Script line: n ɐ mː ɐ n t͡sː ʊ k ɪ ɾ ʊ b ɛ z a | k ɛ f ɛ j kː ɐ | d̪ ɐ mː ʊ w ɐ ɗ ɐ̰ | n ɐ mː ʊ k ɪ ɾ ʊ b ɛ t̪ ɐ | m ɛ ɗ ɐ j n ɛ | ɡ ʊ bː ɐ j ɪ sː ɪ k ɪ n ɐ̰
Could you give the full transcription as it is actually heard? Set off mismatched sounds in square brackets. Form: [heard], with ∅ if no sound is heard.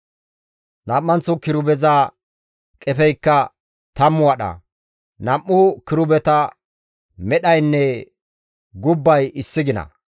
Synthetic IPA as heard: n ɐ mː ɐ n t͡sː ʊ k ɪ ɾ ʊ b ɛ z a | [kʼ] ɛ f ɛ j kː ɐ | [t̪] ɐ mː ʊ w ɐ ɗ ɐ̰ | n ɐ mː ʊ k ɪ ɾ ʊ b ɛ t̪ ɐ | m ɛ ɗ ɐ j [nː] ɛ | ɡ ʊ bː ɐ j ɪ sː ɪ [ɡ] ɪ n ɐ̰